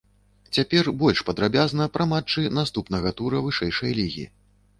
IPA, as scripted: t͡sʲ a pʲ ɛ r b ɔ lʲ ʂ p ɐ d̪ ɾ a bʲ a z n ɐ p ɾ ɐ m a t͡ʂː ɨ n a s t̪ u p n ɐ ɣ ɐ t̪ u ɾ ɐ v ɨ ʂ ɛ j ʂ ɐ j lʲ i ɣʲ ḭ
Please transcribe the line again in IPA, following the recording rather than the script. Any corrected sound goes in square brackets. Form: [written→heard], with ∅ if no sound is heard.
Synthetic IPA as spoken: t͡sʲ a pʲ ɛ r b ɔ lʲ ʂ p ɐ d̪ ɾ a bʲ a z n ɐ p ɾ ɐ m a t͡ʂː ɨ n a s t̪ u p n ɐ ɣ ɐ t̪ u ɾ ɐ v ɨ ʂ ɛ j ʂ ɐ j lʲ i ɣʲ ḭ